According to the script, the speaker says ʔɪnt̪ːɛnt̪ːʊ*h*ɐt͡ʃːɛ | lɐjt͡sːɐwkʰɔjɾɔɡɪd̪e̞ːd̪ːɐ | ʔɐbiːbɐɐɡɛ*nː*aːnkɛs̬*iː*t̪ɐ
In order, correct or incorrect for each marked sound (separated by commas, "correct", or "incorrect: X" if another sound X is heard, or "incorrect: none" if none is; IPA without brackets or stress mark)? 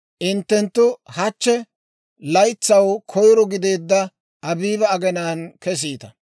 correct, incorrect: n, correct